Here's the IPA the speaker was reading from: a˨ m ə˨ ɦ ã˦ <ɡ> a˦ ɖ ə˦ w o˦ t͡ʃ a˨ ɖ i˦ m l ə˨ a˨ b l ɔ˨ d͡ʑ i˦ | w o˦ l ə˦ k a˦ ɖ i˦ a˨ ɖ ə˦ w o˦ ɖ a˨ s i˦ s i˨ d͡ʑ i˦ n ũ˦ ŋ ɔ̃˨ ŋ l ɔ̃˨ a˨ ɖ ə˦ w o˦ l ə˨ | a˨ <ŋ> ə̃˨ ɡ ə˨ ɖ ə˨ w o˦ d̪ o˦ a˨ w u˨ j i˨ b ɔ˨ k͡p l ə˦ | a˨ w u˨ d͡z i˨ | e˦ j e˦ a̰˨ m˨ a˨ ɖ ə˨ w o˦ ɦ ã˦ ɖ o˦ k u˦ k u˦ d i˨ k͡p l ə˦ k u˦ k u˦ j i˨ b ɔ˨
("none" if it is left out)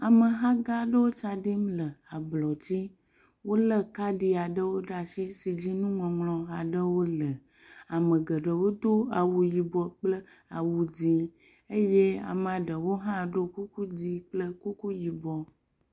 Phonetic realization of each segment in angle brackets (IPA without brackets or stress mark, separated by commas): ɡ, m